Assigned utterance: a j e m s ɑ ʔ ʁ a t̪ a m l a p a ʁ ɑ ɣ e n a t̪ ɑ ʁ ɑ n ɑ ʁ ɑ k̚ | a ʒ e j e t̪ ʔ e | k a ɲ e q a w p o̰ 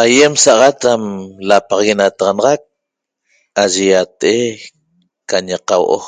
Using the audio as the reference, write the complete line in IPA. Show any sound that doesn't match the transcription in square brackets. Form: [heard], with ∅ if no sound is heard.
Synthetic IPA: a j e m s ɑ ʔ ʁ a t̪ a m l a p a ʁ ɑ ɣ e n a t̪ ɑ ʁ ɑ n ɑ ʁ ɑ k̚ | a ʒ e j [a] t̪ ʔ e | k a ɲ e q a w [ʔ] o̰